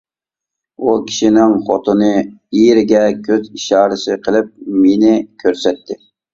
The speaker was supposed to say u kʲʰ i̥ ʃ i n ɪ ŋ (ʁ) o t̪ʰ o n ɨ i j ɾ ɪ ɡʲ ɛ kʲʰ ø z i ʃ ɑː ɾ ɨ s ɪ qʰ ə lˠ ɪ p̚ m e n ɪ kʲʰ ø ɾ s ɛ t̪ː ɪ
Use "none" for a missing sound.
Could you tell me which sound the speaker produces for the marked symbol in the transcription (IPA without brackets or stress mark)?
χ